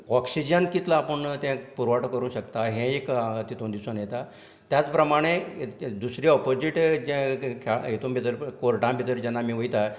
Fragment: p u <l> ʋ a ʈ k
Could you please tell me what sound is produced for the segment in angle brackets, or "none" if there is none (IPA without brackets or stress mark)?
ɾ